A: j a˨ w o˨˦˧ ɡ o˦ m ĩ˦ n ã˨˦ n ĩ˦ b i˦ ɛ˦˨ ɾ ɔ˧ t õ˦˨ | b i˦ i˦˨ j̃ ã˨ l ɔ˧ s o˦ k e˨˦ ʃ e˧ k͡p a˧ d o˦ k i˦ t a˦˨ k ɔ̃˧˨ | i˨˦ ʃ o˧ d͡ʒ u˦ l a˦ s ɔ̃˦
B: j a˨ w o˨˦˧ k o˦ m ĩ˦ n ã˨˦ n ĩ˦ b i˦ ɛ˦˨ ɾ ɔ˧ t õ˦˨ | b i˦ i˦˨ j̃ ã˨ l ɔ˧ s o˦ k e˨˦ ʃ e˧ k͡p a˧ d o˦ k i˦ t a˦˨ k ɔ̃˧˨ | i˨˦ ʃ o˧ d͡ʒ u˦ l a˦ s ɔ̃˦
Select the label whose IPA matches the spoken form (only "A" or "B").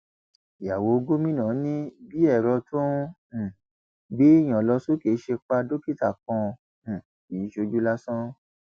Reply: A